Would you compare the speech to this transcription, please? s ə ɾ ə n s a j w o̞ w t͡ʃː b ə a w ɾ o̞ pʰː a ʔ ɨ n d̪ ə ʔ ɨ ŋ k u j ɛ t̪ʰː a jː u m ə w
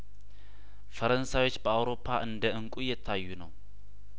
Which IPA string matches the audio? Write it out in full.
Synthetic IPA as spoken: f ə ɾ ə n s a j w o̞ t͡ʃː b ə a w ɾ o̞ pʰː a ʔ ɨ n d̪ ə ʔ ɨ ŋ kʼ u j ɛ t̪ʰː a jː u n ə w